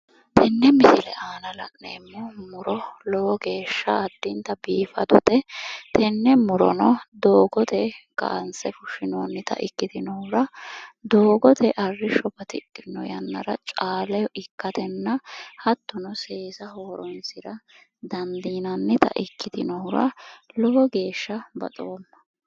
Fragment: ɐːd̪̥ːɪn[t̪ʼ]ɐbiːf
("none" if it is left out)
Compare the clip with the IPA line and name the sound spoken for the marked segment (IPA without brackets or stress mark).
t̪